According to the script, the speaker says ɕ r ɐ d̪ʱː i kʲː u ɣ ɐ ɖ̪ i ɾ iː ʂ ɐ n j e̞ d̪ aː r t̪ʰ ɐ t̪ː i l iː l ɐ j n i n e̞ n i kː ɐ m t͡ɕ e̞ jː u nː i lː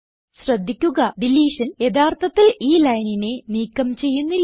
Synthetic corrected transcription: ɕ r ɐ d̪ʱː i kʲː u ɣ ɐ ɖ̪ i l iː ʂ ɐ n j e̞ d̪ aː r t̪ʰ ɐ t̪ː i l iː l ɐ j n i n e̞ n iː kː ɐ m t͡ɕ e̞ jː u nː i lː